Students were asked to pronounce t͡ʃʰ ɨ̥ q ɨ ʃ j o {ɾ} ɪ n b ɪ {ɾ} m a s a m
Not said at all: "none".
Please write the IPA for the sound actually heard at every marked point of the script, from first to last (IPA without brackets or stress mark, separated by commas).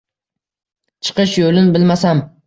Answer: l, l